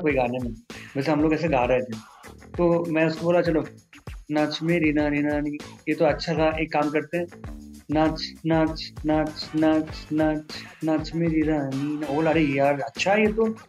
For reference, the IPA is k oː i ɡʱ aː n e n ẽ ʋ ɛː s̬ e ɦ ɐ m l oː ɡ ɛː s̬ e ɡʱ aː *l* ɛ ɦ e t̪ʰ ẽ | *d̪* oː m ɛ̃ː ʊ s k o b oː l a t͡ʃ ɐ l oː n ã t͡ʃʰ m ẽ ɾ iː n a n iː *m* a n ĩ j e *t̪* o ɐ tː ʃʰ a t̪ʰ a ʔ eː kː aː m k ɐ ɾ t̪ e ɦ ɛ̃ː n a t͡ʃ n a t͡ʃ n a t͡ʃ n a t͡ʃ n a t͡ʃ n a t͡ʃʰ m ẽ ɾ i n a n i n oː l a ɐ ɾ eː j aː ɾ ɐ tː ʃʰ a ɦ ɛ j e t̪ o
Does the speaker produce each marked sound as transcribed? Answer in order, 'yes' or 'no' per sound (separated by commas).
no, no, no, yes